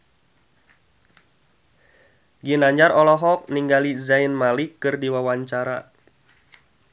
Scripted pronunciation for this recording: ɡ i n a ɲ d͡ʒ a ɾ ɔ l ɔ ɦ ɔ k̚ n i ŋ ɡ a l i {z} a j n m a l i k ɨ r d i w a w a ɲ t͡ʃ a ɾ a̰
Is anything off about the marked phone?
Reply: no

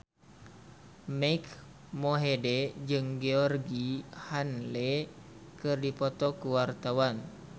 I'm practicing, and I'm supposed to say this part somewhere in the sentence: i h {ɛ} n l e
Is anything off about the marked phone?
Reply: yes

